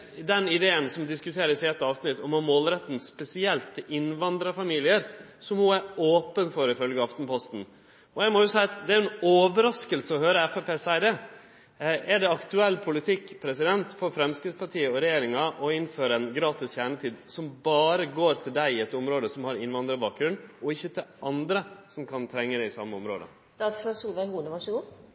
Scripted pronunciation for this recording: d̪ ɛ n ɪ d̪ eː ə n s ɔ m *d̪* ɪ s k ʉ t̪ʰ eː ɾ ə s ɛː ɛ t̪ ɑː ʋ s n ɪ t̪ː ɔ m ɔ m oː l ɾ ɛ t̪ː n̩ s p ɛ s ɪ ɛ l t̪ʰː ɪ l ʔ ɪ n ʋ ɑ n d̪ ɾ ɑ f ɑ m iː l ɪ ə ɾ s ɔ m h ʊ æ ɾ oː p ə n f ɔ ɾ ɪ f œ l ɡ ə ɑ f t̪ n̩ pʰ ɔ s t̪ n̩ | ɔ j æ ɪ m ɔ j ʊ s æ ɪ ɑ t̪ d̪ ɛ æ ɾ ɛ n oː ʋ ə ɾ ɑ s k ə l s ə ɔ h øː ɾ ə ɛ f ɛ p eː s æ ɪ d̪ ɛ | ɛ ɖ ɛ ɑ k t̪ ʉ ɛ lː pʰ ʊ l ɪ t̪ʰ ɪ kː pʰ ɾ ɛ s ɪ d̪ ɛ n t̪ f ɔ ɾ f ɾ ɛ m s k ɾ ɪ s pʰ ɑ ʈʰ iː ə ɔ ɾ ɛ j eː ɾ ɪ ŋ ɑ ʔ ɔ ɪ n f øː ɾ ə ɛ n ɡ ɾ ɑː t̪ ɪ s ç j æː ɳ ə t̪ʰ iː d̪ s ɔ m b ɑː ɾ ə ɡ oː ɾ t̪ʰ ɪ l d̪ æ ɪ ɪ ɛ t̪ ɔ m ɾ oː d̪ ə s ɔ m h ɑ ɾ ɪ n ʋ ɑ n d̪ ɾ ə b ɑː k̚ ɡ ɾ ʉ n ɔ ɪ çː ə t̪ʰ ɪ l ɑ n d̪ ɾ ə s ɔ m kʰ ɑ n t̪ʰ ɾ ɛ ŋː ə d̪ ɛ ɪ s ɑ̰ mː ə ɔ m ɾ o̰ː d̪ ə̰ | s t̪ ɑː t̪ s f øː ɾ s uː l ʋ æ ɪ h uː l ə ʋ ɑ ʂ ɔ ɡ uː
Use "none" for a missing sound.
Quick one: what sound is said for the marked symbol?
d̪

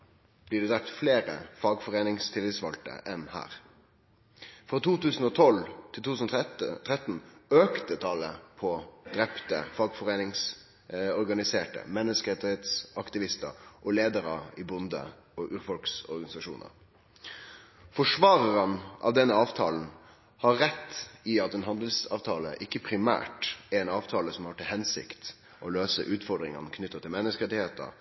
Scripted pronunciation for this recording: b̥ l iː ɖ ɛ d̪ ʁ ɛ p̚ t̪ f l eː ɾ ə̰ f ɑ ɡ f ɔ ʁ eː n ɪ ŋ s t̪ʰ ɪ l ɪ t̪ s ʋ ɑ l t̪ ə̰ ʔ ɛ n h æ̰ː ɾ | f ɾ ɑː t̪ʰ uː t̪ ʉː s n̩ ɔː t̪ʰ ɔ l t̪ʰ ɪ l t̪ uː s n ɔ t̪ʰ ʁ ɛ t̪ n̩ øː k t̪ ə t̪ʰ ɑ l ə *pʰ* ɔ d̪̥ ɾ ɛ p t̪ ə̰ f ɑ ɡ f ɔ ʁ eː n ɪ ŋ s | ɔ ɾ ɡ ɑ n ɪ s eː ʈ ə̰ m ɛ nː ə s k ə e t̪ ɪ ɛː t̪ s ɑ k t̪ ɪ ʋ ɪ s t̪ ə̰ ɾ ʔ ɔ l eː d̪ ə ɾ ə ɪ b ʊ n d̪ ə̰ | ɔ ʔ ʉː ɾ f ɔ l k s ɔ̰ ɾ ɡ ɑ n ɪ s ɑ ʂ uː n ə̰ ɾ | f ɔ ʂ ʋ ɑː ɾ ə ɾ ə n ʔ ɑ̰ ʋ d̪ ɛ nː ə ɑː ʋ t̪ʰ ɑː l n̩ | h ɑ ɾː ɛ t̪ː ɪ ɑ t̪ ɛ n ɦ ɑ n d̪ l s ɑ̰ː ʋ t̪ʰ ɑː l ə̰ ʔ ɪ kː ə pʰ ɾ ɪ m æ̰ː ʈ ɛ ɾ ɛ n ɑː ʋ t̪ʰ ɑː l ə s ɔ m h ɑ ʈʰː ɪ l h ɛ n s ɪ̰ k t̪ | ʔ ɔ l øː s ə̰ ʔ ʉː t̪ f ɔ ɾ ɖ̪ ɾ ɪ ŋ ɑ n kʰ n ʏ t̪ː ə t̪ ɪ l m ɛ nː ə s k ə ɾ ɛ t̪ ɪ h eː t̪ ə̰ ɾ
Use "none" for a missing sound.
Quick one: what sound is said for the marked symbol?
pʰ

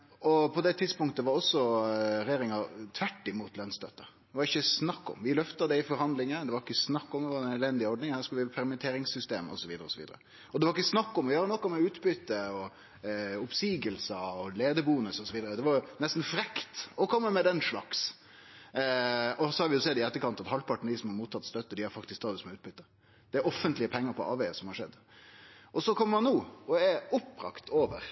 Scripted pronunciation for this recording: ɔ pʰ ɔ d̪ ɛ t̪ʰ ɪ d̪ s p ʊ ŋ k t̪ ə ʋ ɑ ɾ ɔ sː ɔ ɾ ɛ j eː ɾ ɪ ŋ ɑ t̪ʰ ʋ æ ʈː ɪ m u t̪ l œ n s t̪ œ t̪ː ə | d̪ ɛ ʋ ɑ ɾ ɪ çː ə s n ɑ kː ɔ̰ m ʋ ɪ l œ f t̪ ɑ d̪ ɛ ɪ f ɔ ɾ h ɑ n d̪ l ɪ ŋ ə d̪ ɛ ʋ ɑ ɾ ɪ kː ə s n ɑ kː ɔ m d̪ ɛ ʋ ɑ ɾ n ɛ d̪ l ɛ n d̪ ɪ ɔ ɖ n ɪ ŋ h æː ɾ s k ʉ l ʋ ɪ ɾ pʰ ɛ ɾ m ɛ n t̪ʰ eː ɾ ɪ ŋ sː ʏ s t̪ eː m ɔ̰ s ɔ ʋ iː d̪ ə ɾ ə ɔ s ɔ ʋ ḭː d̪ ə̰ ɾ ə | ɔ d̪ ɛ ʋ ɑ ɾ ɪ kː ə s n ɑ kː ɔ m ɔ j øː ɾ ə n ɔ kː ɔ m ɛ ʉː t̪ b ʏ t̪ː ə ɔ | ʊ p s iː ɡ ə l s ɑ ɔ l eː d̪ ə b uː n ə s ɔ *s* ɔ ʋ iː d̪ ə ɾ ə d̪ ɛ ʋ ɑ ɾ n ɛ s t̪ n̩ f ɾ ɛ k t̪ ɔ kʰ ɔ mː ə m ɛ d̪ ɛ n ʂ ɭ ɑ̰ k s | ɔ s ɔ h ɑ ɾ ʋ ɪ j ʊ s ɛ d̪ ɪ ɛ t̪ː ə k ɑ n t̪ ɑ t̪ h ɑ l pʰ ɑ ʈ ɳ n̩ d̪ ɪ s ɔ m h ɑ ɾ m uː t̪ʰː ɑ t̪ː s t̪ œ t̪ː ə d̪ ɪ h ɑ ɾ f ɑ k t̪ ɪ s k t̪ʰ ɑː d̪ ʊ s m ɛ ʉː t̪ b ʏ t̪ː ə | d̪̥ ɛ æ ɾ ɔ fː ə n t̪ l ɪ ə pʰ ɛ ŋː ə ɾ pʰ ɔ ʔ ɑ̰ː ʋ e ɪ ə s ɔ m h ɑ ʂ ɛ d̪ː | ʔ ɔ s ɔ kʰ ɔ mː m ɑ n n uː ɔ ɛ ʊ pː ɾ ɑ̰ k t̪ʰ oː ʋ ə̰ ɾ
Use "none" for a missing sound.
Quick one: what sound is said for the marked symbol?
s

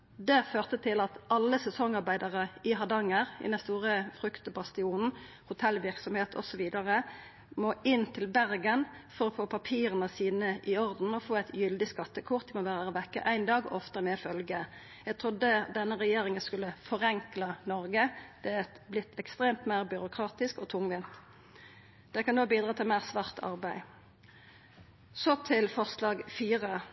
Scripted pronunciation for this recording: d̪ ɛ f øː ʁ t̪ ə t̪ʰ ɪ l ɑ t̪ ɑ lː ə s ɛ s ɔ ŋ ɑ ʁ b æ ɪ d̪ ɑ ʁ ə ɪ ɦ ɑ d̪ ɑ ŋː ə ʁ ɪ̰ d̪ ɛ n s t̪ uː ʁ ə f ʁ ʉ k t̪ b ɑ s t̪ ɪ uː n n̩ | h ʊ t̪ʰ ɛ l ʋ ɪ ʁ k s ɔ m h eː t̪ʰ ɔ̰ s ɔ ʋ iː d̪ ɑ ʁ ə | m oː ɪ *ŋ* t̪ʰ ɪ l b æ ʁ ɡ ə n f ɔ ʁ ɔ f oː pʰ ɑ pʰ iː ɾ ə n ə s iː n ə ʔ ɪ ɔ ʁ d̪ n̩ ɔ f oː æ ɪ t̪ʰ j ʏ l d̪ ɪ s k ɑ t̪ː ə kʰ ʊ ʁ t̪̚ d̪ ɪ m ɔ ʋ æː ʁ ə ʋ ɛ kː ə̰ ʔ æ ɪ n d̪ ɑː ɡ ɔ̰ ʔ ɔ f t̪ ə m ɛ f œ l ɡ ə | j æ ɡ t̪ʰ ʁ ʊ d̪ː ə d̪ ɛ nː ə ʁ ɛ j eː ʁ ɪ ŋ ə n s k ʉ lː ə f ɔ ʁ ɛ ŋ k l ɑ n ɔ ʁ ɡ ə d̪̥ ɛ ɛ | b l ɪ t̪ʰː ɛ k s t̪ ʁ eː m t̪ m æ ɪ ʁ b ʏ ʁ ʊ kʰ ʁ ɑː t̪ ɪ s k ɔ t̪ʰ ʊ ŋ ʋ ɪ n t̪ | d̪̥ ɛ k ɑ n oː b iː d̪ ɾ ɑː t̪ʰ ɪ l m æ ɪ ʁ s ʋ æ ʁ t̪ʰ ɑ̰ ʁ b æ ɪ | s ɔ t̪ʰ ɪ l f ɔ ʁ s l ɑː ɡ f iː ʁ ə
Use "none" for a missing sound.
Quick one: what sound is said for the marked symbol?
n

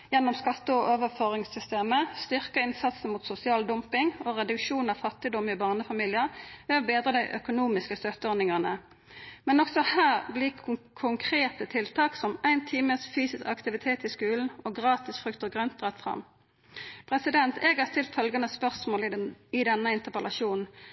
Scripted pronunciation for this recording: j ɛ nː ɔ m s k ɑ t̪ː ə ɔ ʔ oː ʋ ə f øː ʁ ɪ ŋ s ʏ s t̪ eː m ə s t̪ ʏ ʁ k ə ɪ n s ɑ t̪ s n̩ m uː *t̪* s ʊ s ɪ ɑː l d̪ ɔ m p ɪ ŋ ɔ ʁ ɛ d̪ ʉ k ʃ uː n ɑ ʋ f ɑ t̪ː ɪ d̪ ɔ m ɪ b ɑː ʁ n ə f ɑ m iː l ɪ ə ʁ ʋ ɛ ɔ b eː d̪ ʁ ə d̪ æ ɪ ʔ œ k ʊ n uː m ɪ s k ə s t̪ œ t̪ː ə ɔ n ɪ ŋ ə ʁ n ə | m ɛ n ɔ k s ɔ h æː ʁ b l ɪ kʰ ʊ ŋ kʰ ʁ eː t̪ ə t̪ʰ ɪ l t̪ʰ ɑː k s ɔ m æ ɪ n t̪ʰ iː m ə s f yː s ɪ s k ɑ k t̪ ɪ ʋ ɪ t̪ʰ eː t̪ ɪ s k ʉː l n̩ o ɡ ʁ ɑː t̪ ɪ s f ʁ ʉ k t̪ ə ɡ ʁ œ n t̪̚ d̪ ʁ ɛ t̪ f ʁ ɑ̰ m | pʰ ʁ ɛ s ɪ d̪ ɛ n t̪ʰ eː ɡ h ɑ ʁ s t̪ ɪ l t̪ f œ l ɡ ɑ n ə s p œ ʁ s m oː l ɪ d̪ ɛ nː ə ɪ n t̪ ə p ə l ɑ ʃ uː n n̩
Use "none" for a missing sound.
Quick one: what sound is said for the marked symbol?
t̪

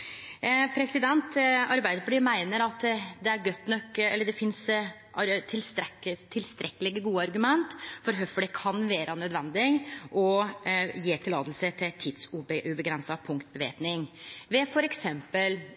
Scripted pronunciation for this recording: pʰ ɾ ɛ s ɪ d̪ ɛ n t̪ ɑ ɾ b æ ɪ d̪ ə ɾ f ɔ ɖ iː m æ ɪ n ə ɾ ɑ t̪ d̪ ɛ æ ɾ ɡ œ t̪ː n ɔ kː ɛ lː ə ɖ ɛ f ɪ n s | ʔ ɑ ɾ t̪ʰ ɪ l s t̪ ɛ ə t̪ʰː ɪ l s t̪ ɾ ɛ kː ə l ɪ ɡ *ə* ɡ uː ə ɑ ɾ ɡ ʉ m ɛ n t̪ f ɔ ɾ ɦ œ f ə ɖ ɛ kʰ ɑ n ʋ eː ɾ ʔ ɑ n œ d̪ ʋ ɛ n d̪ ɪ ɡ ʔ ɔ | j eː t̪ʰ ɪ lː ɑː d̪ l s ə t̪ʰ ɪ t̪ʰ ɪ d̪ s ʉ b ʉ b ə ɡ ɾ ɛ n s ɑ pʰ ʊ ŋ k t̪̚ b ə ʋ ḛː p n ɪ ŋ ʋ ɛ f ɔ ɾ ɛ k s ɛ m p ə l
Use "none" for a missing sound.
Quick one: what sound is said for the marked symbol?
ə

